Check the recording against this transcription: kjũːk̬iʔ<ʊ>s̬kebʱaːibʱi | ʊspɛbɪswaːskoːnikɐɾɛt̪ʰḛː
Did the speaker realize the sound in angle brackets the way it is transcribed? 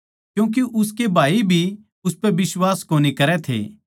yes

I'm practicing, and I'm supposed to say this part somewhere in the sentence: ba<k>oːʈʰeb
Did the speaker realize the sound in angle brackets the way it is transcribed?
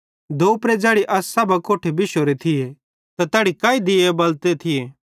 yes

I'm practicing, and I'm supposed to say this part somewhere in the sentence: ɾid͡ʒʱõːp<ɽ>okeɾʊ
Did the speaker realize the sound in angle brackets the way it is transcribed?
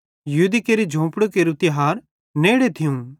yes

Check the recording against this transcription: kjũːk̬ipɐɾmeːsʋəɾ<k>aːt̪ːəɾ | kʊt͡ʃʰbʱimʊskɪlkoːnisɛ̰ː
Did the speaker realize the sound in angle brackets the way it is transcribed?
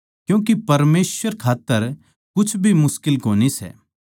no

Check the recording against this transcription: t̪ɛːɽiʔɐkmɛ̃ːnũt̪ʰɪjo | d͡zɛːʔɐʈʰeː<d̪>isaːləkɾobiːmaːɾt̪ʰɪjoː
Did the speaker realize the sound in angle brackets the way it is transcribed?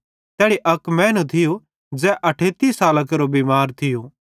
no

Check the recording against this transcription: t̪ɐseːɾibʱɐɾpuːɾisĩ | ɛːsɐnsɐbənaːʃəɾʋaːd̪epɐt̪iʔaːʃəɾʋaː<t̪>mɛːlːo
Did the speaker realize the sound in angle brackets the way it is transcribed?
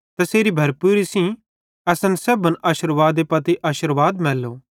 no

